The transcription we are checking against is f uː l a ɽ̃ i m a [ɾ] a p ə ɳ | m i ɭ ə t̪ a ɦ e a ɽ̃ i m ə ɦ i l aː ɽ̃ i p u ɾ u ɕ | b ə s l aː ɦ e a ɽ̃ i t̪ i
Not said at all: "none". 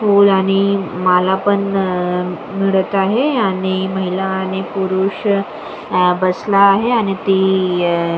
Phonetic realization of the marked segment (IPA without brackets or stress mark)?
l